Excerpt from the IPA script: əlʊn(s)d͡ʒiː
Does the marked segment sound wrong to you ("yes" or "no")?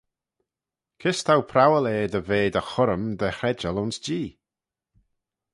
no